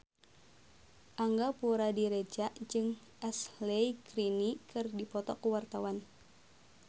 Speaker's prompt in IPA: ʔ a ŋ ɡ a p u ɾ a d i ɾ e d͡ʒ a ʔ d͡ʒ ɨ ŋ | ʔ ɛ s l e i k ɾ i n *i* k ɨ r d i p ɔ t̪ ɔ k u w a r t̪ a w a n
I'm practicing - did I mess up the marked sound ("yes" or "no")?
no